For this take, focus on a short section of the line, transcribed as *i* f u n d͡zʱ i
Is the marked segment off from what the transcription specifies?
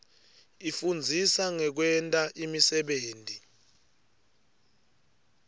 no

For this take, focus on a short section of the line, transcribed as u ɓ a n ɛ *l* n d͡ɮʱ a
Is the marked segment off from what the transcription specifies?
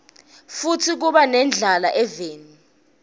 yes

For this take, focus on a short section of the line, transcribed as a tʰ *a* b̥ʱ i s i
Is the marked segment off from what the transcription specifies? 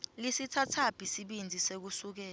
no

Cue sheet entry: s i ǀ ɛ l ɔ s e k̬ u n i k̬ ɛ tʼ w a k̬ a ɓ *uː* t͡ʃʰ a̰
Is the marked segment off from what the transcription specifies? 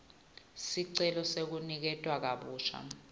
no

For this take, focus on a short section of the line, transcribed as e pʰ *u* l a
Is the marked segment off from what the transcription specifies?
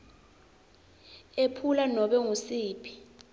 no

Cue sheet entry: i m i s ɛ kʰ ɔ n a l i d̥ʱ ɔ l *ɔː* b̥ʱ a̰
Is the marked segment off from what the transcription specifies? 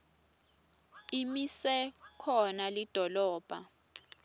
no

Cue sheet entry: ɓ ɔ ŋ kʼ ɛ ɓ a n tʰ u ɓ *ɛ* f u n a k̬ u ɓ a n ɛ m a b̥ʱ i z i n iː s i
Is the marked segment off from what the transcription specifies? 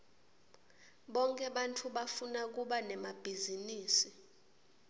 yes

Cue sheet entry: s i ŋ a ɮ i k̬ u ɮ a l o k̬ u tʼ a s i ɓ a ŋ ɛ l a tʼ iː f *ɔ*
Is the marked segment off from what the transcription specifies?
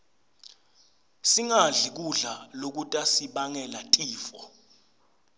no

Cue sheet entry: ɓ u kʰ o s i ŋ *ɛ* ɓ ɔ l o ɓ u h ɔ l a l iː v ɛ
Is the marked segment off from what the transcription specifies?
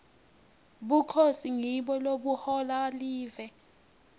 yes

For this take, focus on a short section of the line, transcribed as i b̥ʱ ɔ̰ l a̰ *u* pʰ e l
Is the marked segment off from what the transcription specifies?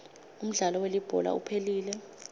no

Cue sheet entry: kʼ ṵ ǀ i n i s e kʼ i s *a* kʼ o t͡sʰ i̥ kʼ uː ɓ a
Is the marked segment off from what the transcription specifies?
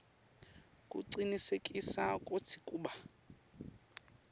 no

